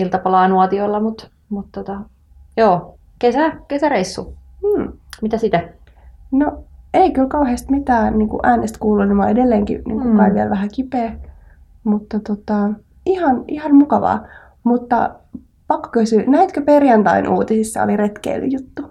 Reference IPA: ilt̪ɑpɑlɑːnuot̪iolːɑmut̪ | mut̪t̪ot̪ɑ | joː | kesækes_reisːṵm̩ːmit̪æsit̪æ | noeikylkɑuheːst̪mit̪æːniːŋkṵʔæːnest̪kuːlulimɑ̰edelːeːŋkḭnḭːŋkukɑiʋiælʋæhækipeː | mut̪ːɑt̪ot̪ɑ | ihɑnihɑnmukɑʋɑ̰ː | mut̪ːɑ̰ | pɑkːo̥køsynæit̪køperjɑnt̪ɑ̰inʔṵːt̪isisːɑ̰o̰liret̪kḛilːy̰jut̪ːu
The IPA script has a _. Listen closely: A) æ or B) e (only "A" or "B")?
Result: A